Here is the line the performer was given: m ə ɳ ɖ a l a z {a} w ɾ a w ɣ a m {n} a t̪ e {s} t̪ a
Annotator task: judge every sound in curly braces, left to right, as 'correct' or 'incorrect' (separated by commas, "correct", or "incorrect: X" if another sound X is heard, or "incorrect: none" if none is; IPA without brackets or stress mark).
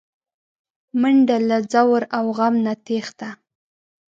correct, correct, incorrect: x